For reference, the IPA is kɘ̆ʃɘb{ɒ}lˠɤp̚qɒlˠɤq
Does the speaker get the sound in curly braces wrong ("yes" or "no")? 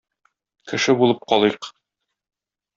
yes